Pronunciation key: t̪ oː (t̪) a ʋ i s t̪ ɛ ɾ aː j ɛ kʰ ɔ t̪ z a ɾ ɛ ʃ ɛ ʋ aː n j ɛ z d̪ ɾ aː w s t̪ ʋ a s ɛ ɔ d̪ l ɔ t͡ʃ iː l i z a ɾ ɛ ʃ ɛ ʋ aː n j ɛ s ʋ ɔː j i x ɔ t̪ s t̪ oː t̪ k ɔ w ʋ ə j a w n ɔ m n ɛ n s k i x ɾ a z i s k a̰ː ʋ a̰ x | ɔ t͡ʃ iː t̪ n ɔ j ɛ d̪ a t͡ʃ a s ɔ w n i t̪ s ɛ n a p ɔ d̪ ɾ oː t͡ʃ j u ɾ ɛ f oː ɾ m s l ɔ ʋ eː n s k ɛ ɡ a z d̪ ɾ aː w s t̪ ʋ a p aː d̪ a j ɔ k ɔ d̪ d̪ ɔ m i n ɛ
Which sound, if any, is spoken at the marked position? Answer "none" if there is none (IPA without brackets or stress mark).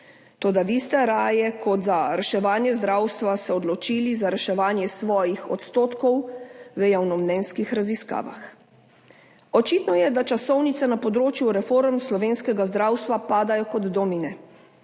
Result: d̪